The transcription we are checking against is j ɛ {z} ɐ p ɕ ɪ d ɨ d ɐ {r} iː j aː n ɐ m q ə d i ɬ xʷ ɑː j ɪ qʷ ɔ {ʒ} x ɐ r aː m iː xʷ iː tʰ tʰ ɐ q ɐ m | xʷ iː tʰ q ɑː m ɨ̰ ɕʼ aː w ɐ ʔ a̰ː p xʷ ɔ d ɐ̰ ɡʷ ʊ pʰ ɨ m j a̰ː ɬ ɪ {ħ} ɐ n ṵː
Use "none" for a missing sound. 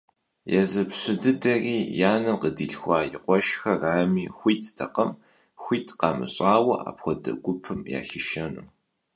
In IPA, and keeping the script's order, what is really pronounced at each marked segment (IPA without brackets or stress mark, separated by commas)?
z, r, ʃ, ʃ